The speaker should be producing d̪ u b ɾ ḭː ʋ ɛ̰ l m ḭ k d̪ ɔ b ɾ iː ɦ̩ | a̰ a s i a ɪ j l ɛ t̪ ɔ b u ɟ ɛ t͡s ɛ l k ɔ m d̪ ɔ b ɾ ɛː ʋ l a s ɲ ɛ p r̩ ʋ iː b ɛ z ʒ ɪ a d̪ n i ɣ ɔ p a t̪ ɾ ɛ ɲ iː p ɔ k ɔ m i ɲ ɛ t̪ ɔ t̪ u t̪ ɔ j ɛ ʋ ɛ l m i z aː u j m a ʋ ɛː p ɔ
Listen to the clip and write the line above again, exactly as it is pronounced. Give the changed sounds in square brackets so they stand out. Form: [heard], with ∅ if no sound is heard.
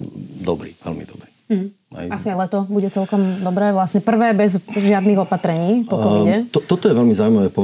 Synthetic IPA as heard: d̪ [ɔ] b ɾ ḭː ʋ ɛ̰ l m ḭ [∅] d̪ ɔ b ɾ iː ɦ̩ | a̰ a s i a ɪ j l ɛ t̪ ɔ b u ɟ ɛ t͡s ɛ l k ɔ m d̪ ɔ b ɾ ɛː ʋ l a s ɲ ɛ p r̩ ʋ [ɛː] b ɛ z ʒ ɪ a d̪ n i ɣ ɔ p a t̪ ɾ ɛ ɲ iː p ɔ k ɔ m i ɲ ɛ t̪ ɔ t̪ [ɔ] t̪ ɔ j ɛ ʋ ɛ l m i z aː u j m a ʋ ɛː p ɔ